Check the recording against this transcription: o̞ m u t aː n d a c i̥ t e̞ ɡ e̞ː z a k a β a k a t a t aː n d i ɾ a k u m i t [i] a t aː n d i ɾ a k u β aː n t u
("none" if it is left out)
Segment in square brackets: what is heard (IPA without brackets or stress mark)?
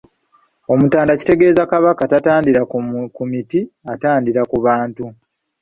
i